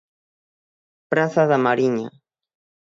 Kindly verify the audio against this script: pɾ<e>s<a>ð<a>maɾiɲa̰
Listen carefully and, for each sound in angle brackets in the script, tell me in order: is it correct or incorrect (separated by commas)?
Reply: incorrect, correct, correct